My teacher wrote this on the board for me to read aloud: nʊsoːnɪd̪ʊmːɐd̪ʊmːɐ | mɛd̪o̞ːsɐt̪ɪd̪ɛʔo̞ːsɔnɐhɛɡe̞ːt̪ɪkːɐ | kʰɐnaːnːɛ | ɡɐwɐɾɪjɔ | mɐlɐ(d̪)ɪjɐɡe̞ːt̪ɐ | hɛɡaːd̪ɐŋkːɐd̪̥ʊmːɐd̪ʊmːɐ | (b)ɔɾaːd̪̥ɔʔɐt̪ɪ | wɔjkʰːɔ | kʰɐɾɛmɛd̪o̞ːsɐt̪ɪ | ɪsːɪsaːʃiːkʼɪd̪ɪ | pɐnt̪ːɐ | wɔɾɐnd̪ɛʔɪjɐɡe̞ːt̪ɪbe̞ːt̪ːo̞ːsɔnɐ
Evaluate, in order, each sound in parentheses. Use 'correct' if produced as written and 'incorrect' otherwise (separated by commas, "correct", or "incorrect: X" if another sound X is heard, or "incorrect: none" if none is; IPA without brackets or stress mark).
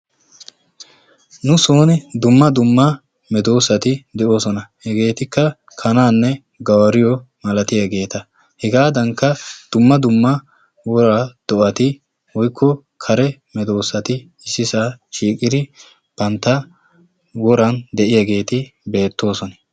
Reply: incorrect: t̪, incorrect: w